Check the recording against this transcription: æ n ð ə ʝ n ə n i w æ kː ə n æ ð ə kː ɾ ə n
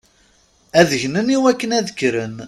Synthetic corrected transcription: æ ð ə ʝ n ə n i w æ kː ə n æ ð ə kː ɾ ə n